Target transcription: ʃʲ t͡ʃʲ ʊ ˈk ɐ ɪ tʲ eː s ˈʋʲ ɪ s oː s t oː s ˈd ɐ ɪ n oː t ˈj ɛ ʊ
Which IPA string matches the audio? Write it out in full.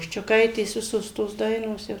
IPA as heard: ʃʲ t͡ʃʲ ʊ ˈk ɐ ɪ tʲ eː s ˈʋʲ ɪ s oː s t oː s ˈd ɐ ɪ n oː s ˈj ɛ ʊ